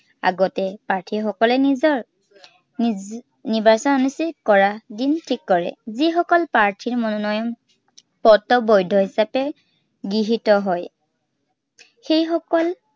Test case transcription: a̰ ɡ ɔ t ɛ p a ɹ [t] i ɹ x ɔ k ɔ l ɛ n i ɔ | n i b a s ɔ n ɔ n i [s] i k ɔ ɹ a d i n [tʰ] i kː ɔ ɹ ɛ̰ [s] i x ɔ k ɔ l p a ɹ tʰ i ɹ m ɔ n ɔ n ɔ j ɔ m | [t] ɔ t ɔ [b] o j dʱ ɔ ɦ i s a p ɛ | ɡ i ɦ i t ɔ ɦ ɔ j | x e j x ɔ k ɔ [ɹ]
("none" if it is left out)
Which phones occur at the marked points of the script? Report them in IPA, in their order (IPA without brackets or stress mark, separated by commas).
tʰ, s, tʰ, z, p, b, l